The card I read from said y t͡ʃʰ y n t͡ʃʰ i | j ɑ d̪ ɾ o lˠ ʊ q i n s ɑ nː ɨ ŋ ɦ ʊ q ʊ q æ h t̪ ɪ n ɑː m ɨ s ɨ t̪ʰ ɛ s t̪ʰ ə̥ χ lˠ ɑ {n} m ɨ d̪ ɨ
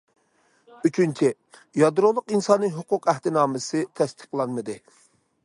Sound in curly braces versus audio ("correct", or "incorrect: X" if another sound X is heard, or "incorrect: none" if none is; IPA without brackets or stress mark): correct